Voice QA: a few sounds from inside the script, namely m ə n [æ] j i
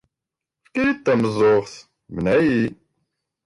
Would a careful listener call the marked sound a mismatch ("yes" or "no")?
no